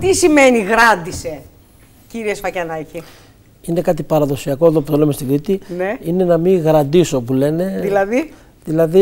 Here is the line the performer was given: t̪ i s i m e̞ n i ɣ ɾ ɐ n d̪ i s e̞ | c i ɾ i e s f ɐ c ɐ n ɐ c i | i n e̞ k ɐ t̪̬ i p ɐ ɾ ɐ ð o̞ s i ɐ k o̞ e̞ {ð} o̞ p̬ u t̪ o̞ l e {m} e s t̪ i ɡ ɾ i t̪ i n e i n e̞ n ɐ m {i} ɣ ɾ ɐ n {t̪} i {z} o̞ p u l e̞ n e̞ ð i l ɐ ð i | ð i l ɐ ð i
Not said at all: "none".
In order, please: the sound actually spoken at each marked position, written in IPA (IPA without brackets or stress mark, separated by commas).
ð, m, i, d̪, s